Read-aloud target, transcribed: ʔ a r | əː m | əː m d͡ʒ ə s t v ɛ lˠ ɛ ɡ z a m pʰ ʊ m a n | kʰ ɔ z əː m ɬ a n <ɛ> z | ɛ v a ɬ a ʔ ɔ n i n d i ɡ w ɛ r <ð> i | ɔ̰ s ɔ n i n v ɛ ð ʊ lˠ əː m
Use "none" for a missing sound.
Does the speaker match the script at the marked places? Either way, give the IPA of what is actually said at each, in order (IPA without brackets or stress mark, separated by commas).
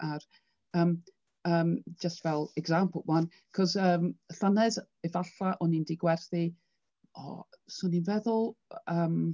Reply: ɛ, θ